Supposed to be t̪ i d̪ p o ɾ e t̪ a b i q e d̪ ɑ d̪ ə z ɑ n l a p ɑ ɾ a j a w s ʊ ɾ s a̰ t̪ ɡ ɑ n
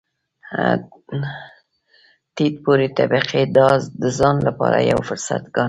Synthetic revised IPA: t̪ i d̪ p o ɾ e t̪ a b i q e d̪ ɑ d̪ ə z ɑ n l a p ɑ ɾ a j a w f ʊ ɾ s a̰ t̪ ɡ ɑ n